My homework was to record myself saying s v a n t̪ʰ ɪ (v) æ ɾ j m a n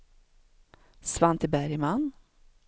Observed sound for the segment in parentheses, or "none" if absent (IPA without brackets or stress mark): b